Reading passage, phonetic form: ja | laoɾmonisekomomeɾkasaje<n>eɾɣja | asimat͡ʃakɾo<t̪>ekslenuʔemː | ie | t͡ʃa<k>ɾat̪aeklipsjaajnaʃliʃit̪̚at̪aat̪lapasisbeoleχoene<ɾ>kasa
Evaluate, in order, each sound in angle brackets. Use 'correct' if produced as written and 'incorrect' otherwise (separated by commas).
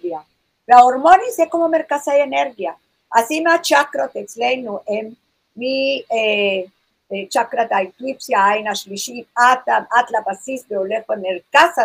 correct, correct, correct, correct